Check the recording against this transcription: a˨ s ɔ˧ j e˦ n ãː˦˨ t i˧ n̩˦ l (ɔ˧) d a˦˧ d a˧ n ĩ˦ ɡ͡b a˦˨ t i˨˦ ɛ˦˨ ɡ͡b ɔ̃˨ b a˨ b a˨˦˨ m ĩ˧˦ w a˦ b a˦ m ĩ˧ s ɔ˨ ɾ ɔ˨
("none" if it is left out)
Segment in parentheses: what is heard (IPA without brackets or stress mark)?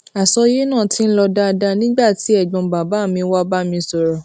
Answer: ɔ˧